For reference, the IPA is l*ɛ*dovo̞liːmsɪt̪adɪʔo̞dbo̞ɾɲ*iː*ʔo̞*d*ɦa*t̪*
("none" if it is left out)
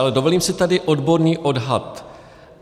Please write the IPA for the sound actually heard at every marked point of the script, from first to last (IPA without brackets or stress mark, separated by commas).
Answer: ɛ, iː, d, t̪